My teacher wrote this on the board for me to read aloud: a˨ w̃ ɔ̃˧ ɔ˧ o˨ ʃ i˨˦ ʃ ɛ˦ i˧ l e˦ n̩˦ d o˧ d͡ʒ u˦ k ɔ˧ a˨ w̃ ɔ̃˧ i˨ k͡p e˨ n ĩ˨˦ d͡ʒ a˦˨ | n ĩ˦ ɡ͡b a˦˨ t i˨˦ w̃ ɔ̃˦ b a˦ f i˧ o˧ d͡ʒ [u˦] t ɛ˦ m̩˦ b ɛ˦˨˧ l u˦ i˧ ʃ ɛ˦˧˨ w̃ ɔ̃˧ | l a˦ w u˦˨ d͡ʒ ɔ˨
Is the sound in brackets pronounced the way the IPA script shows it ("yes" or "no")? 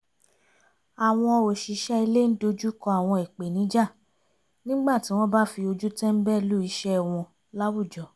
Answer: yes